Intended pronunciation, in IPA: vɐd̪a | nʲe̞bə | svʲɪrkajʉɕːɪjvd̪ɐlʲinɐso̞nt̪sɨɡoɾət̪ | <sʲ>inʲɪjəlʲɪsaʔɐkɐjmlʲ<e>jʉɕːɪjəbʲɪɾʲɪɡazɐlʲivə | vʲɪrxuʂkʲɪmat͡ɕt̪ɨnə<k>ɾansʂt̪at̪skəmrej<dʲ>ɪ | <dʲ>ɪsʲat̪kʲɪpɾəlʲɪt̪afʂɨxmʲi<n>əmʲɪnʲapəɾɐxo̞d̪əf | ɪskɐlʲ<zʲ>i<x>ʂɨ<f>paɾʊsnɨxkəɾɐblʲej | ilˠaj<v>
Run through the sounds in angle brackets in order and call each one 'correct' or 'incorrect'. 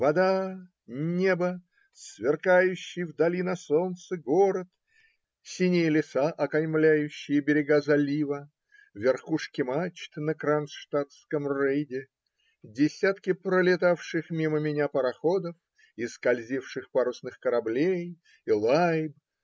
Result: correct, incorrect, correct, correct, correct, incorrect, correct, incorrect, incorrect, incorrect

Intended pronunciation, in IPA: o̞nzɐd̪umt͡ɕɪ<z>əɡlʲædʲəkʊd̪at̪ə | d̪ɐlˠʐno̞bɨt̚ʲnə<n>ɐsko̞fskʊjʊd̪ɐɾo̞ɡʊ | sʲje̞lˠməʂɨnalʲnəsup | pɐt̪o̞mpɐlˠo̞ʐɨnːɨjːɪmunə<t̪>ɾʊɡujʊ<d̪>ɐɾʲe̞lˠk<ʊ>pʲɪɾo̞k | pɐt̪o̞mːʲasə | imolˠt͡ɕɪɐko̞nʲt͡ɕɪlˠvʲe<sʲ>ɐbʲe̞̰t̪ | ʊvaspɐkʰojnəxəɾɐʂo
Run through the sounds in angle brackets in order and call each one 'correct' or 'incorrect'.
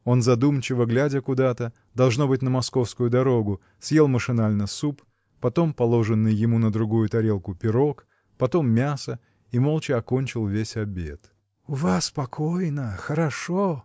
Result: incorrect, incorrect, incorrect, incorrect, correct, correct

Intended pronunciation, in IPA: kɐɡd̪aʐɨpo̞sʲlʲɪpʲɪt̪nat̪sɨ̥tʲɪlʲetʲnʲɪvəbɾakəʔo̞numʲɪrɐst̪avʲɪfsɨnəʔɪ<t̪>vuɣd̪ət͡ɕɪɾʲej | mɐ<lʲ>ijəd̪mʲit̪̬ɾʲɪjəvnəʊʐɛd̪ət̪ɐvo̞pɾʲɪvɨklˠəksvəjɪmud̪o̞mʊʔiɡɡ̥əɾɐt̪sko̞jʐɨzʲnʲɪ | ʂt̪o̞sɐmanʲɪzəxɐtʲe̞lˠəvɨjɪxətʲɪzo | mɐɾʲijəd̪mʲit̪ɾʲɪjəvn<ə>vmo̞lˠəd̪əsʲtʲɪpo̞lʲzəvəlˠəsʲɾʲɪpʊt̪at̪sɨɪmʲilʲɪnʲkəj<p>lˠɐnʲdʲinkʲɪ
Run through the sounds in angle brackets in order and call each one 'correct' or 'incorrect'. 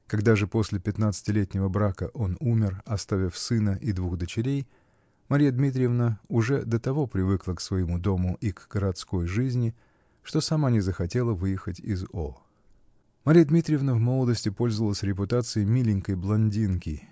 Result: incorrect, incorrect, correct, incorrect

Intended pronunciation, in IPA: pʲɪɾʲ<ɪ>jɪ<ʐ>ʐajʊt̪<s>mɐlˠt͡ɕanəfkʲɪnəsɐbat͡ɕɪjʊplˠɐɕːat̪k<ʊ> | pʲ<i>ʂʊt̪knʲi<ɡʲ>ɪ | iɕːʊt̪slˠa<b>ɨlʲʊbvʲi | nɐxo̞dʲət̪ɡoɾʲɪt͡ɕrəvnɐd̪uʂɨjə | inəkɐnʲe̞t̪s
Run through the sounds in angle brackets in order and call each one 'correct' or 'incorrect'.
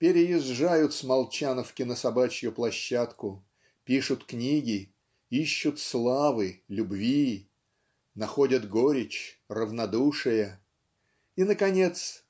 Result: correct, incorrect, correct, correct, correct, correct, incorrect

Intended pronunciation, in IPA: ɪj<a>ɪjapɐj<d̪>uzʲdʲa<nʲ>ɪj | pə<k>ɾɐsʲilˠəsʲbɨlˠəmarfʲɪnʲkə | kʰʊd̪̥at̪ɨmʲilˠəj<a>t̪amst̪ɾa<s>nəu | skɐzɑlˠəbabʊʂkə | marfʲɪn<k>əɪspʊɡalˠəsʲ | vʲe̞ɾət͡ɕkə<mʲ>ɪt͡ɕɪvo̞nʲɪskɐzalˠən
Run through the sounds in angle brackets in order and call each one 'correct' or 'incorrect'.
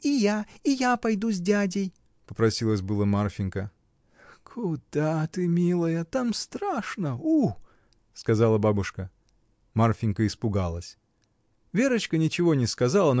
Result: correct, correct, incorrect, incorrect, incorrect, incorrect, correct, incorrect

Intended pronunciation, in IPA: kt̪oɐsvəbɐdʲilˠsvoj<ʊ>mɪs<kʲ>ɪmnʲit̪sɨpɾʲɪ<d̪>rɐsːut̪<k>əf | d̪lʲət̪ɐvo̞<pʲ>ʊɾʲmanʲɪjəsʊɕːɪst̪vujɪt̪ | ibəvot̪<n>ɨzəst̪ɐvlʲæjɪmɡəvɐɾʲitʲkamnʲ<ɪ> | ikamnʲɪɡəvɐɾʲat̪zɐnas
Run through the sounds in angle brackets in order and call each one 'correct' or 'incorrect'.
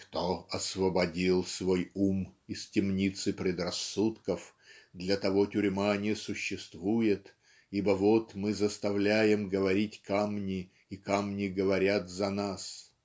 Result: incorrect, incorrect, correct, correct, incorrect, incorrect, correct

